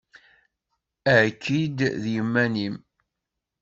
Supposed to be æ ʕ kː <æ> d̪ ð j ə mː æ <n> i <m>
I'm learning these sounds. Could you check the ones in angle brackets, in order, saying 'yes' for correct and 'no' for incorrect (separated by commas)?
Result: no, yes, yes